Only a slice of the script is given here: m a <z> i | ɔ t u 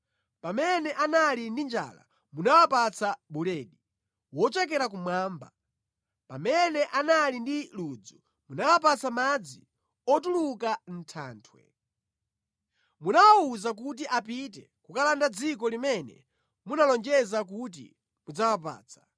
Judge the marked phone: incorrect: d͡z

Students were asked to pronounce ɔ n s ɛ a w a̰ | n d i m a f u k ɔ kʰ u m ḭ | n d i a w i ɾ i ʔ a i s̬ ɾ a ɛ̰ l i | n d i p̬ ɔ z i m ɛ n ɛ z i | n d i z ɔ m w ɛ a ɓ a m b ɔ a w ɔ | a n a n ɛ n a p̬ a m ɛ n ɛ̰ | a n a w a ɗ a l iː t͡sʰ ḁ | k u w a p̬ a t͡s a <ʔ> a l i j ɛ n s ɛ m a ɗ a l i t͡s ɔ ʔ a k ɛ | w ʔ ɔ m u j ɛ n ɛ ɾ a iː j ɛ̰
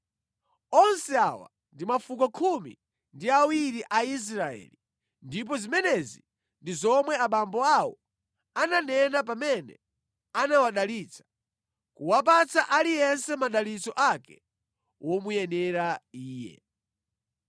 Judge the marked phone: correct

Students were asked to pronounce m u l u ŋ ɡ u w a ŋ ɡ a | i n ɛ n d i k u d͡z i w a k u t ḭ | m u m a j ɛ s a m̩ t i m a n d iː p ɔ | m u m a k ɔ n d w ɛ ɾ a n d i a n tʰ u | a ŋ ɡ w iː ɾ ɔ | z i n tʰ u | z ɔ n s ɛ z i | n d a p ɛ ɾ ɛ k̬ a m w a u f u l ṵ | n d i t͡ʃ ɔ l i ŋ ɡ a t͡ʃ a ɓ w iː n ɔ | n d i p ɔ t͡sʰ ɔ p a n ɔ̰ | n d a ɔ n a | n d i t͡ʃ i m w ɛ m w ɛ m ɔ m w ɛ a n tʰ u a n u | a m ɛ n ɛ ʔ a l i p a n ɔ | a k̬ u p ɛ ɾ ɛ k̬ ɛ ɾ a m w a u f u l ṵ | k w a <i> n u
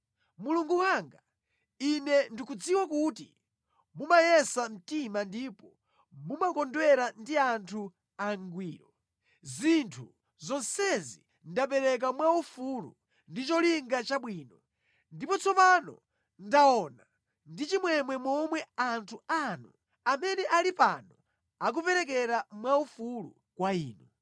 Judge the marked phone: incorrect: iː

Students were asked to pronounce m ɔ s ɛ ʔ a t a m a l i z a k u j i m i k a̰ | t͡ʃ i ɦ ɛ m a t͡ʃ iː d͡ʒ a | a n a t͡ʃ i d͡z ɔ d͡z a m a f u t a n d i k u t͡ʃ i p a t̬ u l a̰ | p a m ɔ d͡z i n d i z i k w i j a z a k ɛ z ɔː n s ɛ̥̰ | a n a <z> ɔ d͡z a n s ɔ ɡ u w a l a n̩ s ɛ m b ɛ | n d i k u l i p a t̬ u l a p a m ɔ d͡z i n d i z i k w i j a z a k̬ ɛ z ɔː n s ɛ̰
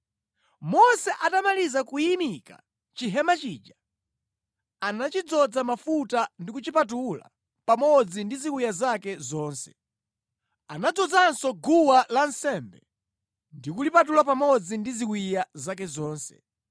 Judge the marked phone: incorrect: d͡z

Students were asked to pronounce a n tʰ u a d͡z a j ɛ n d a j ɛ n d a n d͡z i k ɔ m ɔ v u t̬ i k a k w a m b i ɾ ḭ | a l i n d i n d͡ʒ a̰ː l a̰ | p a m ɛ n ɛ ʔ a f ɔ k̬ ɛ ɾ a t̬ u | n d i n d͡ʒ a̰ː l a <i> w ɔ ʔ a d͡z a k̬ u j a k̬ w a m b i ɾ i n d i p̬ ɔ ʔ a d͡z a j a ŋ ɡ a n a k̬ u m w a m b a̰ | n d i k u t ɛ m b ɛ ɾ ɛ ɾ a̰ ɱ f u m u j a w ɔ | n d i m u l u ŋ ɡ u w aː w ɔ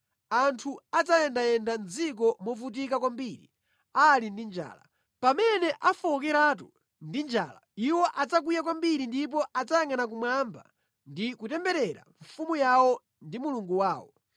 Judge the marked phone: correct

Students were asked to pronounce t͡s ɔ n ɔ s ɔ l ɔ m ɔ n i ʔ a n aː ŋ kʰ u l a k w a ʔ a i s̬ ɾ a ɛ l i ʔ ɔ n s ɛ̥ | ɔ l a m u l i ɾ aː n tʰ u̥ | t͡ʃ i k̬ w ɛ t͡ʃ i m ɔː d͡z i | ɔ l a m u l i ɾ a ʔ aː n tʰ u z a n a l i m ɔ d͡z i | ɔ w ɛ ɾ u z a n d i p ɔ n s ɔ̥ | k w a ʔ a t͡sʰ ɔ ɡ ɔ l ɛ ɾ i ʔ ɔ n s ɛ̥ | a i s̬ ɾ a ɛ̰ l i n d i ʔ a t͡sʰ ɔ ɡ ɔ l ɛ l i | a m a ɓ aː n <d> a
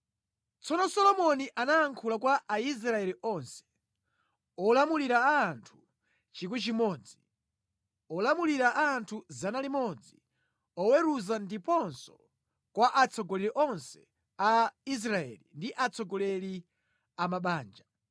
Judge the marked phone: incorrect: d͡ʒ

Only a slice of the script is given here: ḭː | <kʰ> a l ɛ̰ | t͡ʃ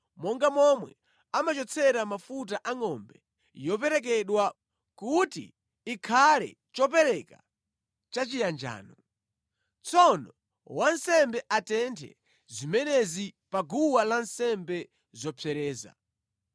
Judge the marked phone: correct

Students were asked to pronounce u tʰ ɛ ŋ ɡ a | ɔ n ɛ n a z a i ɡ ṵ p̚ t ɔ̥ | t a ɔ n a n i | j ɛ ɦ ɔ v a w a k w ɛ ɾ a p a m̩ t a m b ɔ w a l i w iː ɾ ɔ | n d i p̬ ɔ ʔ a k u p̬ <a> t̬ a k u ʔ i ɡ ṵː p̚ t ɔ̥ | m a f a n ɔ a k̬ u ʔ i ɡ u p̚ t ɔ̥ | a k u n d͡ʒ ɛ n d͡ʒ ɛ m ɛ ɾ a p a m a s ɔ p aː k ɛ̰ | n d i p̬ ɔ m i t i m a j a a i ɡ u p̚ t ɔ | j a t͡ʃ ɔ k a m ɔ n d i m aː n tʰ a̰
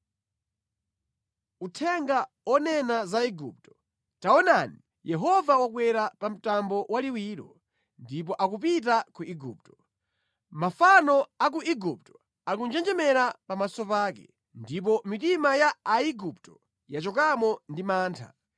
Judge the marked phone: incorrect: i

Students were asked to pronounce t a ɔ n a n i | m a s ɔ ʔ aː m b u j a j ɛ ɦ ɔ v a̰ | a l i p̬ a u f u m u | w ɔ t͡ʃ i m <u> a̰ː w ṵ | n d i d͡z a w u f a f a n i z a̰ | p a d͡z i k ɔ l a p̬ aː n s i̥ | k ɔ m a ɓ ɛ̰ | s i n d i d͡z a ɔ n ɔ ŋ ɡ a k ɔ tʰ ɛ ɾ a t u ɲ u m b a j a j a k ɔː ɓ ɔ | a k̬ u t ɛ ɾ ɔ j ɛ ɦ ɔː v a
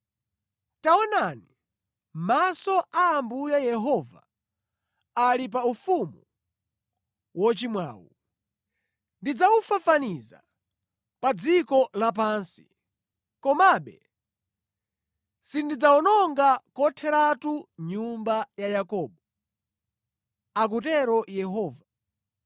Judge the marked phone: incorrect: w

